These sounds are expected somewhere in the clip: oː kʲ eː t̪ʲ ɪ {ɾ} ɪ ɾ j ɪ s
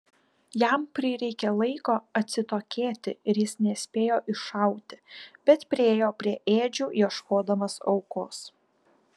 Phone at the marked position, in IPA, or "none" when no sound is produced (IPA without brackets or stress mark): none